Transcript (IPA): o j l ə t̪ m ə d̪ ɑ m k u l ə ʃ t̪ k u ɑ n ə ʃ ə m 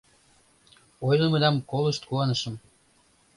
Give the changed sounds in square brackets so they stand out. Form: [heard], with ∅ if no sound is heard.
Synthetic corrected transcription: o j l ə [∅] m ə d̪ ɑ m k [o] l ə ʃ t̪ k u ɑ n ə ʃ ə m